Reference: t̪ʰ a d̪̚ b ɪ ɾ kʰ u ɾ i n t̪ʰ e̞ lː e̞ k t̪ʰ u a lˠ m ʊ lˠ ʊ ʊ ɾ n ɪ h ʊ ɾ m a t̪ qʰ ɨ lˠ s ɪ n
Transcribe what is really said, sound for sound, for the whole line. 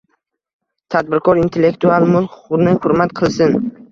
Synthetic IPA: t̪ʰ a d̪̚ b ɪ ɾ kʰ ɒ ɾ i n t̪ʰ e̞ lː e̞ k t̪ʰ u a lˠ m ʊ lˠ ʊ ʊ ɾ n ɪ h ʊ ɾ m a t̪ qʰ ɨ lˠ s ɪ n